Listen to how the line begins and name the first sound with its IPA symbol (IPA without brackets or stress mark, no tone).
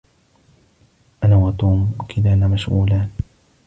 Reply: ʔ